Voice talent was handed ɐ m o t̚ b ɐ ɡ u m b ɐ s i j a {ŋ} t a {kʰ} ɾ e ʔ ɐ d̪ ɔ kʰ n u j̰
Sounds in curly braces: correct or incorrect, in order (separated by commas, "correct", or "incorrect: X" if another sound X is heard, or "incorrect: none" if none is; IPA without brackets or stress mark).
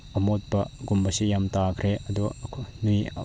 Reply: incorrect: m, correct